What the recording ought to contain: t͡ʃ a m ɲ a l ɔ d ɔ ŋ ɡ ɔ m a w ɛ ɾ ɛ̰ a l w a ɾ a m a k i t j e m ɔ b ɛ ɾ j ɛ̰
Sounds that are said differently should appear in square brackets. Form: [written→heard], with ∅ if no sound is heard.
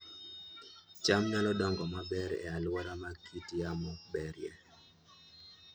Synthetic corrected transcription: t͡ʃ a m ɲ a l ɔ d ɔ ŋ ɡ ɔ m a [w→b] ɛ ɾ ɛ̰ a l w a ɾ a m a k i t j [e→a] m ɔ b ɛ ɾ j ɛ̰